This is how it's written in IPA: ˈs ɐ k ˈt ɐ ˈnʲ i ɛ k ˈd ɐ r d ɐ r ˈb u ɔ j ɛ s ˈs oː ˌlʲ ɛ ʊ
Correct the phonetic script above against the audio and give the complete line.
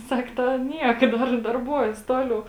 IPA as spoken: ˈs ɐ k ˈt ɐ ˈnʲ i ɛ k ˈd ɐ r d ɐ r ˈb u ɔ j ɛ s ˈt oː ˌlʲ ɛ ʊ